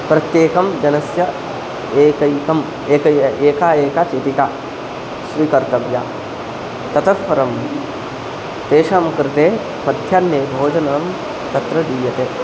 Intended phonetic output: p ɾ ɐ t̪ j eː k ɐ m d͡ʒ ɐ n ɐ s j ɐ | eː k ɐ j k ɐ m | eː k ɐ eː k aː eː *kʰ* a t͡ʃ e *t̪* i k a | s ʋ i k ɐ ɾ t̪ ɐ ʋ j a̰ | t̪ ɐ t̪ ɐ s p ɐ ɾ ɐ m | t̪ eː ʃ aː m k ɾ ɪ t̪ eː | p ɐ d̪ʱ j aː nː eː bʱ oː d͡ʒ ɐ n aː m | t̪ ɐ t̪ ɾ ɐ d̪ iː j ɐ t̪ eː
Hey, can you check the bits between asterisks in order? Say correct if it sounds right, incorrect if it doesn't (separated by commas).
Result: incorrect, correct